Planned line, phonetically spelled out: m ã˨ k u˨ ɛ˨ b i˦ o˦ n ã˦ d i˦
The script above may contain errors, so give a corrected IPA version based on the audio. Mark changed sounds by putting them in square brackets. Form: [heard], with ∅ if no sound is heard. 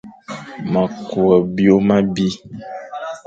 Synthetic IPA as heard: m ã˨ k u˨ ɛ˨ b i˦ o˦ [m] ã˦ [b] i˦